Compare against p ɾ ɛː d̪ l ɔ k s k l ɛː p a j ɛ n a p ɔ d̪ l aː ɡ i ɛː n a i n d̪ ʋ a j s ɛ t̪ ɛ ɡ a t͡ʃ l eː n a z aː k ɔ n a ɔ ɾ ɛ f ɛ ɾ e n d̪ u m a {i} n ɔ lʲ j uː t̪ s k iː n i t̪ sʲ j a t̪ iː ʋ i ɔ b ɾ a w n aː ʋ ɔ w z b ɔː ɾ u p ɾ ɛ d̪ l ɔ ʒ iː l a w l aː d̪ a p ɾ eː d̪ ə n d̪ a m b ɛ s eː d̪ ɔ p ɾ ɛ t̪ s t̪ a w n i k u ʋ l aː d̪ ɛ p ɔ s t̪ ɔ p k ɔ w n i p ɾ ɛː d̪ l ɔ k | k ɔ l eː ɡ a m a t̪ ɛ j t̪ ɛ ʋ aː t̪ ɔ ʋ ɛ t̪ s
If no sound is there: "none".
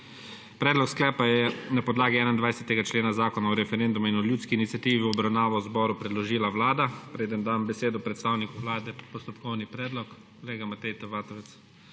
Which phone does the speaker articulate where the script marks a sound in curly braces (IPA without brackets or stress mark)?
i